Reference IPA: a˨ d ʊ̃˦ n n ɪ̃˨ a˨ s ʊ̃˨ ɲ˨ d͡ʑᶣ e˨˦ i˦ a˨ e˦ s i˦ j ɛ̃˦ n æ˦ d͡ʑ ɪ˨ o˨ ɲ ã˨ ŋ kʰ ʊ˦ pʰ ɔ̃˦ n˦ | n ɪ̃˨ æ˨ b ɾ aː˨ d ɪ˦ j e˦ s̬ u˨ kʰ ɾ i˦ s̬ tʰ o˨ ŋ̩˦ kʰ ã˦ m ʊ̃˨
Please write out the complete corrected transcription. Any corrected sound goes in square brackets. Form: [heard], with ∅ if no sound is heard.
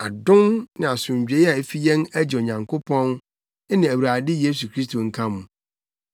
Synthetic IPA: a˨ d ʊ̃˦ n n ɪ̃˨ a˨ s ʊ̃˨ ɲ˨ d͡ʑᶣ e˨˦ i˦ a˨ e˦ [f] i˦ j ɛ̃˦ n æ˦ d͡ʑ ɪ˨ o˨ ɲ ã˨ ŋ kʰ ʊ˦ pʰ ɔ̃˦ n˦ | n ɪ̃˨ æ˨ [w] ɾ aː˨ d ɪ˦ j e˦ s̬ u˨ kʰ ɾ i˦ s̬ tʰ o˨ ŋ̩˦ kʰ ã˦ m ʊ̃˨